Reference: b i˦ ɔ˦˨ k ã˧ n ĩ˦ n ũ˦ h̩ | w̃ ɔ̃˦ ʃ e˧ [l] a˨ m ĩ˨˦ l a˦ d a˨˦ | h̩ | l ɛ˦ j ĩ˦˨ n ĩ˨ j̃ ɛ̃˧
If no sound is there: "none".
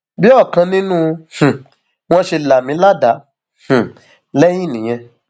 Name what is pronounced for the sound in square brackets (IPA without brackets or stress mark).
l